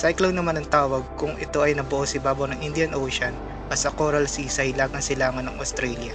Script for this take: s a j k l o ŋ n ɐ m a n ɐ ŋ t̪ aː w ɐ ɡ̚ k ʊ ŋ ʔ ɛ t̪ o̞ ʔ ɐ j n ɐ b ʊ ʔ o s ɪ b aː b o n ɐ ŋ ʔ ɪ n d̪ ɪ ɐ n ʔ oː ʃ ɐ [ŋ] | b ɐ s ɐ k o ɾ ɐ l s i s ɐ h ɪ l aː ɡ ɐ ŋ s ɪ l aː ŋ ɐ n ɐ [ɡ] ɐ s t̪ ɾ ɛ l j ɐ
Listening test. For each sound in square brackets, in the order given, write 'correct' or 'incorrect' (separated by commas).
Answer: incorrect, incorrect